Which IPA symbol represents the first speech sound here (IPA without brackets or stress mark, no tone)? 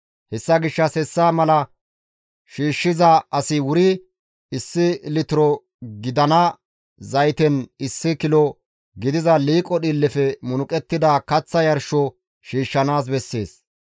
h